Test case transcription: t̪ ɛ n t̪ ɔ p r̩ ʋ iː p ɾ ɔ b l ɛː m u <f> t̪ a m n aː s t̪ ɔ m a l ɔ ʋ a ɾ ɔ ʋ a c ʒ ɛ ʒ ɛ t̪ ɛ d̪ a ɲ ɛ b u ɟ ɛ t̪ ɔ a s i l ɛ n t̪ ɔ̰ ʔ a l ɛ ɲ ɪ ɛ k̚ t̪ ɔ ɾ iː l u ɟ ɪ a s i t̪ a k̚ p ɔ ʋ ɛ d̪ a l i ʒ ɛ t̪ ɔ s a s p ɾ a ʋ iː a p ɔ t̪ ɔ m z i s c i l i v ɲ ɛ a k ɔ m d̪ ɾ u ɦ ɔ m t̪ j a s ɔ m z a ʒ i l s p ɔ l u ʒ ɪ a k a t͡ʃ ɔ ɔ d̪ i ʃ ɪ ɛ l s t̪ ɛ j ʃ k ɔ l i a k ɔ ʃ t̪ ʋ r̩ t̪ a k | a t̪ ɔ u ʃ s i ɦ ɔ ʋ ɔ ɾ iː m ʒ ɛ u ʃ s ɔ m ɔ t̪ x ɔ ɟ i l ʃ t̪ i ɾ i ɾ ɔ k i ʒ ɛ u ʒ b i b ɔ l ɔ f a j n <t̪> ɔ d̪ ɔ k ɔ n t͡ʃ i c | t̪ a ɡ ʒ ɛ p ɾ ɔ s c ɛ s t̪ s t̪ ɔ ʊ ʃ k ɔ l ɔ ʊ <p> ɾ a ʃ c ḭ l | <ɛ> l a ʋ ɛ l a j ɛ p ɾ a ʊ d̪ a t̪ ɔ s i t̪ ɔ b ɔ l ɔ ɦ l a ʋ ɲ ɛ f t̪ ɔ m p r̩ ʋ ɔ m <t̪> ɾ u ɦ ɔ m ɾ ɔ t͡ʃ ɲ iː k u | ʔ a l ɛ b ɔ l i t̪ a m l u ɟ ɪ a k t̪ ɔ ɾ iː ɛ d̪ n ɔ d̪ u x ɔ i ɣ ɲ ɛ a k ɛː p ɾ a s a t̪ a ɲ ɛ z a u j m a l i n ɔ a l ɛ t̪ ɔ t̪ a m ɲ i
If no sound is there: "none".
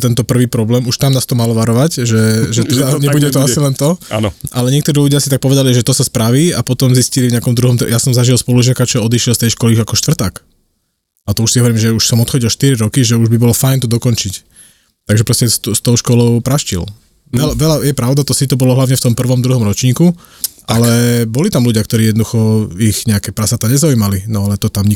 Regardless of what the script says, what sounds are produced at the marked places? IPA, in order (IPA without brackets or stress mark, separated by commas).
ʃ, t̪, p, ɛ, d̪